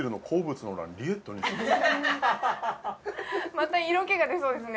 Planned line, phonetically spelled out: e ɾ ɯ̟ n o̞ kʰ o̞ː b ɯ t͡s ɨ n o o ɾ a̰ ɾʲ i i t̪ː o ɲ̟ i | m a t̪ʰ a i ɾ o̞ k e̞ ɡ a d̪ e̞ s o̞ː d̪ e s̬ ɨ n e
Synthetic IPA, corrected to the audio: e ɾ ɯ̟ n o̞ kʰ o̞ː b ɯ t͡s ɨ n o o ɾ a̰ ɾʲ i e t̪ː o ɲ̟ i | m a t̪ a i ɾ o̞ k e̞ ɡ a d̪ e̞ s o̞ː d̪ e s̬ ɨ n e